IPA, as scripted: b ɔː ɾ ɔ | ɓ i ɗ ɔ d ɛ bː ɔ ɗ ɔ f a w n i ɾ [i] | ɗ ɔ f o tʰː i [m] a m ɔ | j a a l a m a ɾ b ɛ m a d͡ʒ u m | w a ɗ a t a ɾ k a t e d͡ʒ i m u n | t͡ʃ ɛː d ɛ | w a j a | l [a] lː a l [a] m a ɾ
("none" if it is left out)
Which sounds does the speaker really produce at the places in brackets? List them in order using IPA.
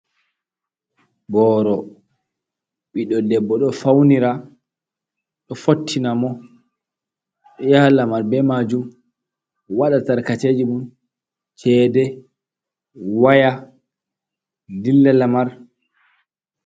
a, n, i, a

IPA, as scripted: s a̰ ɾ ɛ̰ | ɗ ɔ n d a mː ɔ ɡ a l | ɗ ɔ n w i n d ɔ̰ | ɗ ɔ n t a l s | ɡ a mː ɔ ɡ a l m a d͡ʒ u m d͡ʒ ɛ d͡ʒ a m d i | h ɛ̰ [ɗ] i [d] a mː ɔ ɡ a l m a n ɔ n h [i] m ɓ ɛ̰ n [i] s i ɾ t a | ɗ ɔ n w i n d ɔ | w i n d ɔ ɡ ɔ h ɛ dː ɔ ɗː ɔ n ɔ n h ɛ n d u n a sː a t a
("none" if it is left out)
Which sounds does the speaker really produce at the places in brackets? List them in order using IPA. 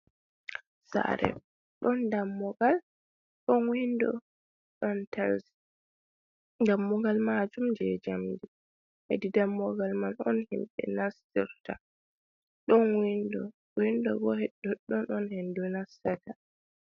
d, d, i, a

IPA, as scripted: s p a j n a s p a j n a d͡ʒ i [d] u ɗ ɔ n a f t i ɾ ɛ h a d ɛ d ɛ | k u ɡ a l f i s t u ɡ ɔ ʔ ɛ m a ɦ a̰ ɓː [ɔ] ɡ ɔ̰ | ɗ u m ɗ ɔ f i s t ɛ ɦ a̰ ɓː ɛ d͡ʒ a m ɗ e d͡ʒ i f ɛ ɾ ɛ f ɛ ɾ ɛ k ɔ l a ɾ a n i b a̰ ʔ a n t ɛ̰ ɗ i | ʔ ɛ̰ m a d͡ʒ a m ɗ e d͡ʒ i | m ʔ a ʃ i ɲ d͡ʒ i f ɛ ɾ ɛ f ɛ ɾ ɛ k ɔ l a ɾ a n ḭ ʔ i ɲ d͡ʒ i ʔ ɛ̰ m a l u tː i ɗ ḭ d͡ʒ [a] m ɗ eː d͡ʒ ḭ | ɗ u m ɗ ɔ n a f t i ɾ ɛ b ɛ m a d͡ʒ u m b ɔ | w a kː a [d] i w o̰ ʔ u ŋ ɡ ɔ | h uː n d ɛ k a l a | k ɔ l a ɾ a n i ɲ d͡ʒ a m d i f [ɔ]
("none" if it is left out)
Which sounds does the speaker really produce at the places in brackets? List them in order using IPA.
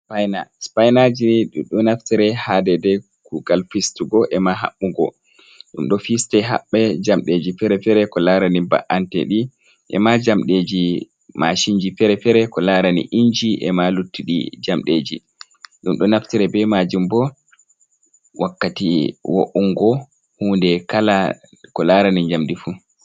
ɗ, u, a, t, u

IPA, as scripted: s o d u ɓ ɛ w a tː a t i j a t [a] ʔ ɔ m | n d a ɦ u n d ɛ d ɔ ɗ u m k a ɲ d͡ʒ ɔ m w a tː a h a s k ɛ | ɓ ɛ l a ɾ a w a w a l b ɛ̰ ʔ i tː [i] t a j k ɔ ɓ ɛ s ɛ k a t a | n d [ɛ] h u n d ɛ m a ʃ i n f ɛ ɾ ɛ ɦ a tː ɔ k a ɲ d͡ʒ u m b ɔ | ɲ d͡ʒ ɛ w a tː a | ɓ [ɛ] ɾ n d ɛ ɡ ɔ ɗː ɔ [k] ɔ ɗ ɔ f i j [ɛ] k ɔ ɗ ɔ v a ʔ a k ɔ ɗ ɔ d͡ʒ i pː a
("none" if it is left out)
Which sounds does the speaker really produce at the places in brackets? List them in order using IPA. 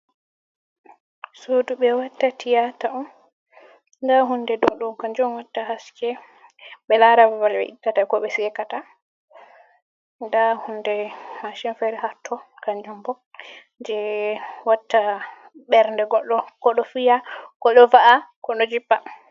a, a, a, ɛ, k, a

